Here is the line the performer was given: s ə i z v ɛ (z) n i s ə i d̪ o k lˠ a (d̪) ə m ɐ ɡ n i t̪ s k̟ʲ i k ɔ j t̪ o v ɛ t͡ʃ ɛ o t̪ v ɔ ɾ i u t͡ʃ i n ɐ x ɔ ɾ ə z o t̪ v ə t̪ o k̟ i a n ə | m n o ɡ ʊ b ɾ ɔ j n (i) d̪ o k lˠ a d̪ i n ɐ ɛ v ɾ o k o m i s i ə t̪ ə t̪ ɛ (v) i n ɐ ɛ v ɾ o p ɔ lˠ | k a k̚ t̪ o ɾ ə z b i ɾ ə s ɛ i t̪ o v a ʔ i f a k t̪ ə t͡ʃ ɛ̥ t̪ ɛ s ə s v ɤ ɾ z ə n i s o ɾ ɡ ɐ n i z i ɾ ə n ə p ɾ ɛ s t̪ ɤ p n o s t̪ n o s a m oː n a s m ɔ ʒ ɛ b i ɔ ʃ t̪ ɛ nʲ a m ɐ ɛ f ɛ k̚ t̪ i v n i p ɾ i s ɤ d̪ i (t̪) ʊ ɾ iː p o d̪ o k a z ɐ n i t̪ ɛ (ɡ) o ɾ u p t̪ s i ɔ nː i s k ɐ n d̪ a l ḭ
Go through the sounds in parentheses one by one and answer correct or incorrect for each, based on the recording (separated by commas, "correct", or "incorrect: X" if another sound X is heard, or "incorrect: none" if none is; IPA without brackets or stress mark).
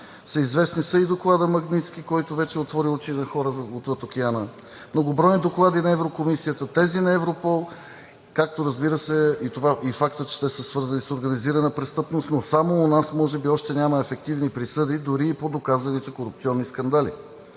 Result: incorrect: s, correct, correct, incorrect: z, incorrect: d̪, incorrect: k